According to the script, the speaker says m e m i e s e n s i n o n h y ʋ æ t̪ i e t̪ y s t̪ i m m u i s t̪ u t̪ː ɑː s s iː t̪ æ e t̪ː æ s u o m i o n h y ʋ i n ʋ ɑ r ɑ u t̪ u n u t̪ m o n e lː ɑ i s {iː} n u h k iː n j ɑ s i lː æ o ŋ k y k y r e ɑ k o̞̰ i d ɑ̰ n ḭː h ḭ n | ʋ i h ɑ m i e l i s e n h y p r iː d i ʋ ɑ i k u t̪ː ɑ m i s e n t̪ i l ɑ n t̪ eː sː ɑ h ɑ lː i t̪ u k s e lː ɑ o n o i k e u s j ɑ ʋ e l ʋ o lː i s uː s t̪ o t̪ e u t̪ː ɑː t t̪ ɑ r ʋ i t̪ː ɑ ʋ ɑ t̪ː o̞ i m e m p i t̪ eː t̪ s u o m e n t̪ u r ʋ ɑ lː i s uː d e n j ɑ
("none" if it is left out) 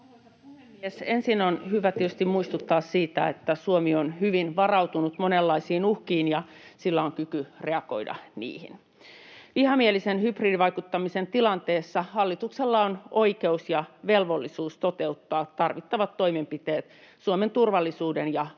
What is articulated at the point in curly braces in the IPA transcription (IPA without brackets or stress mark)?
iː